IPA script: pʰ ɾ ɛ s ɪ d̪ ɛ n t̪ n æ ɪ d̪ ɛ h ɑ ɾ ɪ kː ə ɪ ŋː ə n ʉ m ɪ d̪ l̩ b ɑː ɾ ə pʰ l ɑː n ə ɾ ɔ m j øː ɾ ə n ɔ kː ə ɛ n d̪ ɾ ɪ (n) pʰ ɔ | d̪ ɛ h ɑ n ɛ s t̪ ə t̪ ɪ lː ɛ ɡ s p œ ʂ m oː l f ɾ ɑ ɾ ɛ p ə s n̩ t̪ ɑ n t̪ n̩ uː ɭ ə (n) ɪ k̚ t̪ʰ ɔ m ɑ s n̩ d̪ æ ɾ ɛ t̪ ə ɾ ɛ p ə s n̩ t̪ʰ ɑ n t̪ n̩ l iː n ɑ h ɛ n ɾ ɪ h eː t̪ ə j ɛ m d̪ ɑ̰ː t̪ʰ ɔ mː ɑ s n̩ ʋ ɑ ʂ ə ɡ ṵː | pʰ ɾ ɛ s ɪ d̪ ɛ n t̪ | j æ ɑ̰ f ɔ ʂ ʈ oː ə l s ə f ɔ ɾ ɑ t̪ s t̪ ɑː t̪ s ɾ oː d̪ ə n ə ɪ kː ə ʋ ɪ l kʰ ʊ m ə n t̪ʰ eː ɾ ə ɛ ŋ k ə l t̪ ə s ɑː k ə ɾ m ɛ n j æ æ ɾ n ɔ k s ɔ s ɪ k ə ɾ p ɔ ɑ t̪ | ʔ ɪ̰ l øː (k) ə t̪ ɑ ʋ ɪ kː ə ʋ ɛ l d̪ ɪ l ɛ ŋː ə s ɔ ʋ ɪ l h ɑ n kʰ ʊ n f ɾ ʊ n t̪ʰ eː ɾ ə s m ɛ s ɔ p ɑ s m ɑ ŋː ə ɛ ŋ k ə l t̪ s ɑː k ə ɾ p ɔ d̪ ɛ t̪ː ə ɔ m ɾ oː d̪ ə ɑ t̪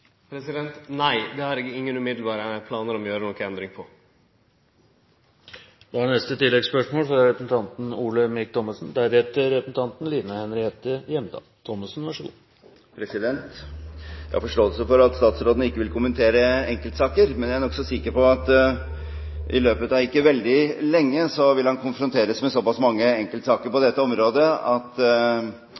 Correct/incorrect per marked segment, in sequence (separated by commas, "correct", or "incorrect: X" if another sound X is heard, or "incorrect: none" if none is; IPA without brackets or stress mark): incorrect: ŋ, incorrect: m, incorrect: p